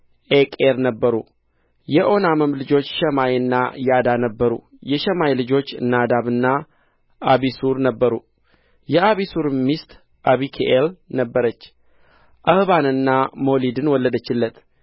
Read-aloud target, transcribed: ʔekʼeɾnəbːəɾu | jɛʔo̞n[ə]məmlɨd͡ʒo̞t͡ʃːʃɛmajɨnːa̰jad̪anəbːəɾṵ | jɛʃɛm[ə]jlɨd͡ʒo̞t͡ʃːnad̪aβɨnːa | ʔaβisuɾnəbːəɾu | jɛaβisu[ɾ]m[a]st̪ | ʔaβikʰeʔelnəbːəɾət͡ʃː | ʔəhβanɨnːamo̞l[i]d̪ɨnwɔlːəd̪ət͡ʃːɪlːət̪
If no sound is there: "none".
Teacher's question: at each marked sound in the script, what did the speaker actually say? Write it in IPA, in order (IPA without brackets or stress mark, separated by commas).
a, a, ɾ, i, i